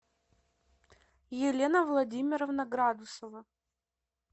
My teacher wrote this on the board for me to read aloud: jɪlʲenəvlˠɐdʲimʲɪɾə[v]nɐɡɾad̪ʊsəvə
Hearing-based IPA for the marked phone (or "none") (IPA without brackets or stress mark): v